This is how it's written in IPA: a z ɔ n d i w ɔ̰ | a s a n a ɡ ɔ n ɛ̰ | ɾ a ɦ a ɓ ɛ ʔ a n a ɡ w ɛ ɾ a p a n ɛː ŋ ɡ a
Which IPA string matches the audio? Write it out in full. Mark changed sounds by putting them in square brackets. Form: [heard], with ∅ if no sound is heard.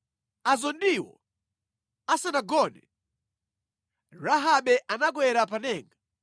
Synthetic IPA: a z ɔ n d i w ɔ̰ | a s a n a ɡ ɔ n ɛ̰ | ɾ a ɦ a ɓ ɛ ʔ a n a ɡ w ɛ ɾ a p a n ɛː ŋ ɡ a